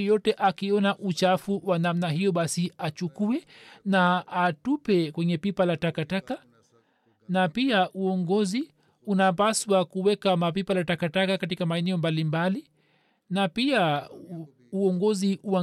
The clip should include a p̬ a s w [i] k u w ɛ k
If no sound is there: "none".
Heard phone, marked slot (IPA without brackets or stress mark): a